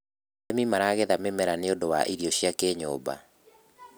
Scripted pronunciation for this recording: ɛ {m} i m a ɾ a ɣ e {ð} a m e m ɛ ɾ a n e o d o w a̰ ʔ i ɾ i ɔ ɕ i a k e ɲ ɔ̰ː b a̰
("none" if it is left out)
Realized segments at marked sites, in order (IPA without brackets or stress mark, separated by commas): m, ð